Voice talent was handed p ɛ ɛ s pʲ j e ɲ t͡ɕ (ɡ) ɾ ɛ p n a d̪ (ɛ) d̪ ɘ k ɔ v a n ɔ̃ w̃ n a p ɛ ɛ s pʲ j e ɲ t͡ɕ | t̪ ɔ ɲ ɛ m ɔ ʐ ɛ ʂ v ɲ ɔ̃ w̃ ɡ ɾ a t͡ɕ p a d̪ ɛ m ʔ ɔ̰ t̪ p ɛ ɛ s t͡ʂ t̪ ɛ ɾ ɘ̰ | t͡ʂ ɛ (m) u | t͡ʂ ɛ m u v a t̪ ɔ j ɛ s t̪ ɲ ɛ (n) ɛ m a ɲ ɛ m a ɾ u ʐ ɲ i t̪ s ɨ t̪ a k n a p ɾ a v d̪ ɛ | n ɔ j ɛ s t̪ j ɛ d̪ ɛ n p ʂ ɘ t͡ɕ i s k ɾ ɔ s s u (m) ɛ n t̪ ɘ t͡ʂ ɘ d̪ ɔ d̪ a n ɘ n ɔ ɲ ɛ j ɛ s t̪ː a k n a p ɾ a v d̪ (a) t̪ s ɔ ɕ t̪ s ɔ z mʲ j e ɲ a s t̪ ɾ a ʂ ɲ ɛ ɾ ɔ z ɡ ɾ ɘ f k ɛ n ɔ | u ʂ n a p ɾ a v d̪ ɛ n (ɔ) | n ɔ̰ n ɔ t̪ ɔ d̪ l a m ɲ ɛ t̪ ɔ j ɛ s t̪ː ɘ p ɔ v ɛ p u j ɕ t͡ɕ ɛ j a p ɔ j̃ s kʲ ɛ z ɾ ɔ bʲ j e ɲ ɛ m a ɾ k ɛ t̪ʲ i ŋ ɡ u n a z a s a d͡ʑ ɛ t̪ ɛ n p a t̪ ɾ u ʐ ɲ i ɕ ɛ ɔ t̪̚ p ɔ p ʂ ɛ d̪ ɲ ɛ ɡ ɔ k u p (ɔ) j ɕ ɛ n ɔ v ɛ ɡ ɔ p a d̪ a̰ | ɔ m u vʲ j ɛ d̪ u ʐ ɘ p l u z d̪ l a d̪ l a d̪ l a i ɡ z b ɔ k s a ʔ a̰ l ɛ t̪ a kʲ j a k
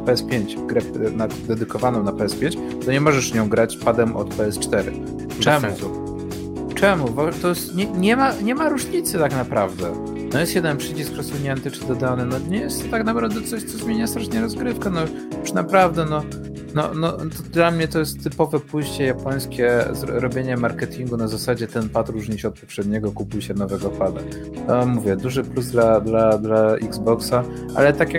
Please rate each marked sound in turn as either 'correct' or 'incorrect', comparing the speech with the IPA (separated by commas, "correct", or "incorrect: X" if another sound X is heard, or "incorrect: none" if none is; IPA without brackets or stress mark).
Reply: correct, correct, correct, incorrect: ɲ, incorrect: ɲ, incorrect: ɛ, correct, incorrect: u